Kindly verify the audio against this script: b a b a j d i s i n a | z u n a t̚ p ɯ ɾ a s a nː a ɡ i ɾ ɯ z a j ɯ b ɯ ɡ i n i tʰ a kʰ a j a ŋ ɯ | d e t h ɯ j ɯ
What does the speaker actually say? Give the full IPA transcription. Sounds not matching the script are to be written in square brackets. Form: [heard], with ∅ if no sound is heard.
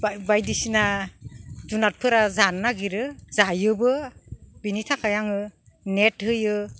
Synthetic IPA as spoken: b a b a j d i s i n a | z u n a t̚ [pʰ] ɯ ɾ a [z] a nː a ɡ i ɾ ɯ z a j ɯ b ɯ [b] i n i tʰ a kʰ a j a ŋ ɯ | [n] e t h ɯ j ɯ